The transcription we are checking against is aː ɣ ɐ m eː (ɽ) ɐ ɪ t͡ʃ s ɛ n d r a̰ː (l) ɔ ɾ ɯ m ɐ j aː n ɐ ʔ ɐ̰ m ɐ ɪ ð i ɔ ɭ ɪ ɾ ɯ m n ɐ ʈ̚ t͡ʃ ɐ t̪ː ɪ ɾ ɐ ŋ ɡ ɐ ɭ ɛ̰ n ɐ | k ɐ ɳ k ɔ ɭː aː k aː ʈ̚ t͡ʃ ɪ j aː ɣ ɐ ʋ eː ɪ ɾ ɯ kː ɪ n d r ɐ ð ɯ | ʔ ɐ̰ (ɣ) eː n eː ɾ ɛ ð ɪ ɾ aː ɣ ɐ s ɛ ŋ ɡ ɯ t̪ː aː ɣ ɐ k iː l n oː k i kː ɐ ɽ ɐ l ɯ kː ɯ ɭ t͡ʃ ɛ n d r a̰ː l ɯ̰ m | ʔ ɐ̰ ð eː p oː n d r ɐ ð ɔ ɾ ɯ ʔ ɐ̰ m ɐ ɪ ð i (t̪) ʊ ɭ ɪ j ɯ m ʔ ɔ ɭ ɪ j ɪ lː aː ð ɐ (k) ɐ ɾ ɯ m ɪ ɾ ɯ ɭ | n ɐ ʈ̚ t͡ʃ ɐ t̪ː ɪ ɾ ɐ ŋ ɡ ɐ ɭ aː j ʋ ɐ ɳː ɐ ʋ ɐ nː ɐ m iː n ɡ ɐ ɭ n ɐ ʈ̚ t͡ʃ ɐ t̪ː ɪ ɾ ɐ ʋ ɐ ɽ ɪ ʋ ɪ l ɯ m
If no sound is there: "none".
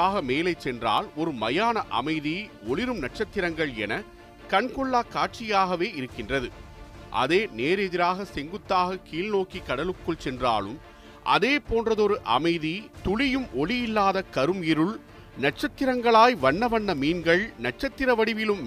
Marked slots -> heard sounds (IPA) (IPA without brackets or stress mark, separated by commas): l, l, ð, t̪, k